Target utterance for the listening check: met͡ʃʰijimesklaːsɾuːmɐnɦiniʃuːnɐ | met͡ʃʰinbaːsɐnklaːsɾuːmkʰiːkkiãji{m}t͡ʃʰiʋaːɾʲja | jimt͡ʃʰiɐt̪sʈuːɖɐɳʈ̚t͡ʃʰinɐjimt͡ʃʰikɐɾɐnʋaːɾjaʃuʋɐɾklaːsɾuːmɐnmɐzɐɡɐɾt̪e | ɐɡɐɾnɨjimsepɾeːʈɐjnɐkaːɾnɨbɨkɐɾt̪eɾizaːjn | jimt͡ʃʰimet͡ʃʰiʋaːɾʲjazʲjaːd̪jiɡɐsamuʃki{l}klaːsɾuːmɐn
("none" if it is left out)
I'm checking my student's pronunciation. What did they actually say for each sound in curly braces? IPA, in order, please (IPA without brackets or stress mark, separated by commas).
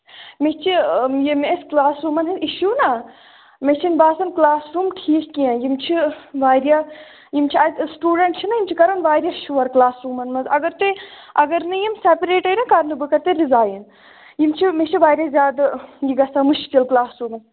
m, l